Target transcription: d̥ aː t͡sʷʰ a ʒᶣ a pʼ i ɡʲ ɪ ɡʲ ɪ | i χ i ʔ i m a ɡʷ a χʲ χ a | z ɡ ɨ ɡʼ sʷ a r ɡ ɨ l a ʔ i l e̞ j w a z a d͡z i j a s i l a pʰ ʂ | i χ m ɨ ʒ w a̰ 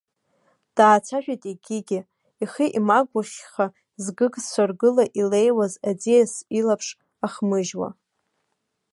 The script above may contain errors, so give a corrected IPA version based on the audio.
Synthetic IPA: d̥ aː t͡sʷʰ a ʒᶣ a tʼ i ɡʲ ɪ ɡʲ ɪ | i χ i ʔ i m a ɡʷ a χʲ χ a | z ɡ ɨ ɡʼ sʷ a r ɡ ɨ l a ʔ i l e̞ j w a z a d͡z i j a s i l a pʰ ʂ | a χ m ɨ ʒ w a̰